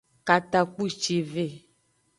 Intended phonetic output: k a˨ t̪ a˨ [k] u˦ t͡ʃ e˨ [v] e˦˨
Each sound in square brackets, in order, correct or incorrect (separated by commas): incorrect, correct